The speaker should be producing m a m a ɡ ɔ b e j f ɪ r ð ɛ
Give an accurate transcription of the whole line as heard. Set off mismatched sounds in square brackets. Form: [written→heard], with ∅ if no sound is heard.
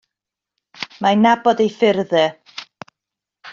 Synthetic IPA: m a [m→n] a [ɡ→b] ɔ [b→d] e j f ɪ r ð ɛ